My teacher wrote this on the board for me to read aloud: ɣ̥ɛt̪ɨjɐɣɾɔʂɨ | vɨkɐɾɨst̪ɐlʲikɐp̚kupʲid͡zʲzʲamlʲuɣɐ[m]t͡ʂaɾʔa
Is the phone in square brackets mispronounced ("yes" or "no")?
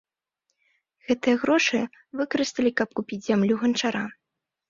yes